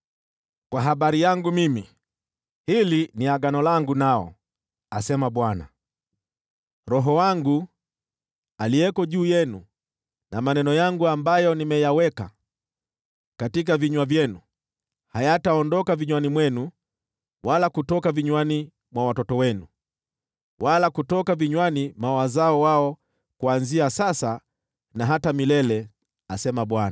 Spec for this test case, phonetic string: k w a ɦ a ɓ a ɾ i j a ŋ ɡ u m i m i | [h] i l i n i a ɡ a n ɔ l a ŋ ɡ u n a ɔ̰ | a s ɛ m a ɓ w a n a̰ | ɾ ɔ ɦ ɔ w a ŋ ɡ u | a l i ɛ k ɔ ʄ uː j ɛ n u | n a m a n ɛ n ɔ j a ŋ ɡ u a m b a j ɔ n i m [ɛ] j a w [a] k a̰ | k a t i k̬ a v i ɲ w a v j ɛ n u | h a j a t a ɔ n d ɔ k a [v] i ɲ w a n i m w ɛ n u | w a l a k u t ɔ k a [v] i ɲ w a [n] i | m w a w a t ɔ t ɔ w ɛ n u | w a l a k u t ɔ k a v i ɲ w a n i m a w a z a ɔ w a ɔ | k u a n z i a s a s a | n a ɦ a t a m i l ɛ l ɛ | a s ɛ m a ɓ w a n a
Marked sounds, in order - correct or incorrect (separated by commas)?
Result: correct, correct, incorrect, correct, correct, correct